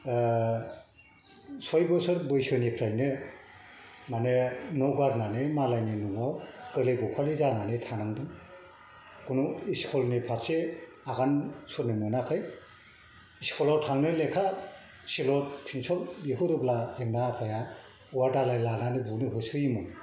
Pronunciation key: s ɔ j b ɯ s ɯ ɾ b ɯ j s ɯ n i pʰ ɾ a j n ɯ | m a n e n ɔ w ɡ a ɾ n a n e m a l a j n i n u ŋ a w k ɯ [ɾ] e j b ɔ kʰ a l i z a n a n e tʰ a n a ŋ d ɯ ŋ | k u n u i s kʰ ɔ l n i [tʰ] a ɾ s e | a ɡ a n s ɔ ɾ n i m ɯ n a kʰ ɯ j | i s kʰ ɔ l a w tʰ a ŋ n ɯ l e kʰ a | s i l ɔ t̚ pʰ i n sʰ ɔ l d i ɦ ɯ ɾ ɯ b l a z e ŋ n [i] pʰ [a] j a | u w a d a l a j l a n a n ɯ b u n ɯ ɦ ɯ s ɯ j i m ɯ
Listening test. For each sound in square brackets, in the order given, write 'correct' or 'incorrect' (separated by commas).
incorrect, incorrect, incorrect, correct